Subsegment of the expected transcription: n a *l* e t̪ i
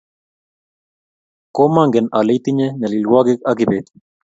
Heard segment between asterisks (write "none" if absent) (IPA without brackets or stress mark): l